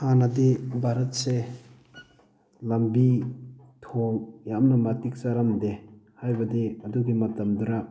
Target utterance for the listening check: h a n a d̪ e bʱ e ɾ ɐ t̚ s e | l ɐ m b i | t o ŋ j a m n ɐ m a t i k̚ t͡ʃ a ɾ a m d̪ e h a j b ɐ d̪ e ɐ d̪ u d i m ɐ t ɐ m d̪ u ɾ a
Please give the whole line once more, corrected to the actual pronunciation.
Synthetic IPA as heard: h a n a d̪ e bʱ a ɾ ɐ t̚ s e | l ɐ m b i | tʰ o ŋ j a m n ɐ m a t i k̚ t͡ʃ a ɾ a m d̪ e h a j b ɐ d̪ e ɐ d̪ u ɡ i m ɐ t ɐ m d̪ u ɾ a